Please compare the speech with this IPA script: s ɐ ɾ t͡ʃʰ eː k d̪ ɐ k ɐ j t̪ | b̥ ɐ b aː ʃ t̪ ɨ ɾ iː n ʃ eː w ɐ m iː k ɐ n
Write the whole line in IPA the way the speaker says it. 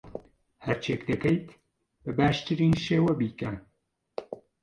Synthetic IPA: h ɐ ɾ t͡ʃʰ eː k d̪ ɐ k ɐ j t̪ | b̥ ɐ b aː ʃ t̪ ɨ ɾ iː n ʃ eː w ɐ b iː k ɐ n

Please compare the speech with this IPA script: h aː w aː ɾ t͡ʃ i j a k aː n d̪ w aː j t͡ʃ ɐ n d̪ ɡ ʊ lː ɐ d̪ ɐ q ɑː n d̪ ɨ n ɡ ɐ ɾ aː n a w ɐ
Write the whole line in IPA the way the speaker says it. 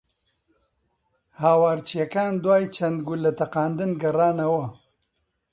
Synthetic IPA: h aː w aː ɾ t͡ʃ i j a k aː n d̪ w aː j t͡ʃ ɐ n d̪ ɡ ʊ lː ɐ t̪ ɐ q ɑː n d̪ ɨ n ɡ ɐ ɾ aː n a w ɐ

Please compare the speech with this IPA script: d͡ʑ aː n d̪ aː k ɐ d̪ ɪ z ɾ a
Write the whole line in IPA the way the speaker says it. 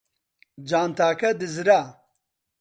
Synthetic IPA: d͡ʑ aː n t̪ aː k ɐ d̪ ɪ z ɾ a

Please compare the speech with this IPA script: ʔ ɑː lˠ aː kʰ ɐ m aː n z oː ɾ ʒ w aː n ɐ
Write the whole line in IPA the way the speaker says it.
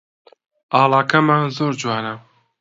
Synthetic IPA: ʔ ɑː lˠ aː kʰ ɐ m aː n z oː ɾ d͡ʒ w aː n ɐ

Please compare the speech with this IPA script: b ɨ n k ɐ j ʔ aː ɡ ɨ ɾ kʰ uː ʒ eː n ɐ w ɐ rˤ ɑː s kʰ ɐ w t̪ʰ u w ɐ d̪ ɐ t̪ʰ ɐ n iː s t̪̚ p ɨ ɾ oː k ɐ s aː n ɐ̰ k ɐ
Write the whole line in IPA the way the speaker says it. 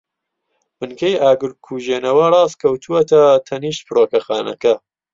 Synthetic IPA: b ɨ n k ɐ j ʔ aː ɡ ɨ ɾ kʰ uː ʒ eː n ɐ w ɐ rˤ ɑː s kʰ ɐ w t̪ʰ u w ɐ t̪ ɐ t̪ʰ ɐ n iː ʃ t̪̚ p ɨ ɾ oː k ɐ x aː n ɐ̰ k ɐ

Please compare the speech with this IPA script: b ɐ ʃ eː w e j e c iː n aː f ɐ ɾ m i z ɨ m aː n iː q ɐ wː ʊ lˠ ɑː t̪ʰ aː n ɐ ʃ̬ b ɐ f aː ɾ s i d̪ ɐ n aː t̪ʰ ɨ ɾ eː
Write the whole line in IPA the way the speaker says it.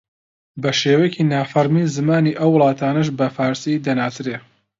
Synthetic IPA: b ɐ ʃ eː w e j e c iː n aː f ɐ ɾ m i z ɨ m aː n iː ʔ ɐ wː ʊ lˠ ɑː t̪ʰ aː n ɐ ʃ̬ b ɐ f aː ɾ s i d̪ ɐ n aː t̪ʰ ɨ ɾ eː

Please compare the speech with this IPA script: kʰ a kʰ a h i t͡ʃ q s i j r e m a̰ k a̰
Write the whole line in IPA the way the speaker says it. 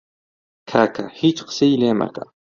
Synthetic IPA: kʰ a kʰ a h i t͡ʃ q s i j l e m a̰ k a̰

